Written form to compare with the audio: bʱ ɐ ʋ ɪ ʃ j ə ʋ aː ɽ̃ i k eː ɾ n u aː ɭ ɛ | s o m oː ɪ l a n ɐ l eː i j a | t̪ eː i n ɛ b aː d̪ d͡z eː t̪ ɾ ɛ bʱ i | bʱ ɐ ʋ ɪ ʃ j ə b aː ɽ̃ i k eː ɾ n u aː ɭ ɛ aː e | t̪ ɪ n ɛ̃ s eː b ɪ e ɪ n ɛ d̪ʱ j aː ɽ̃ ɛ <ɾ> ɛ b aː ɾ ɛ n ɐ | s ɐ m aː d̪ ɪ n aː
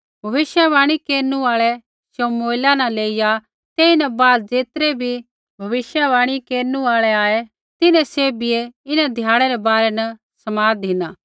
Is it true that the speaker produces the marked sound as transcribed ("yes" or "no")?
yes